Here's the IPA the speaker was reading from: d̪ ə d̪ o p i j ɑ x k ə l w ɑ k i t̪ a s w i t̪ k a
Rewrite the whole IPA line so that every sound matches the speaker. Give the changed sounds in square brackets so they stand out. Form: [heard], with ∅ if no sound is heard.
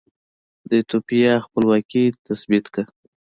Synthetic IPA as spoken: d̪ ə [t̪] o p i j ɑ x [p] ə l w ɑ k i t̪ a s [b] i t̪ k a